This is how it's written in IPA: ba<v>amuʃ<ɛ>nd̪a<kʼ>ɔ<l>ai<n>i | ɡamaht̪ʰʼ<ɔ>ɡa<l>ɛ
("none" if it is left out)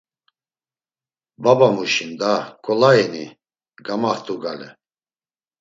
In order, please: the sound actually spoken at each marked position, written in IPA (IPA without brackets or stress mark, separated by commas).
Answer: b, i, kʼ, l, n, u, l